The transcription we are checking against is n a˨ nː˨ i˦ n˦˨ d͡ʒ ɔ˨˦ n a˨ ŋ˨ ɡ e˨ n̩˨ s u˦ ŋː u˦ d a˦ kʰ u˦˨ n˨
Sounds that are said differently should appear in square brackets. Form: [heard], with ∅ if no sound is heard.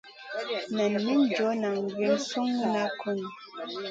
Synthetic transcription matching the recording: n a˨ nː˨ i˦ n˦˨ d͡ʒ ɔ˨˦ n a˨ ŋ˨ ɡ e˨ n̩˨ s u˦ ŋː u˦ [n] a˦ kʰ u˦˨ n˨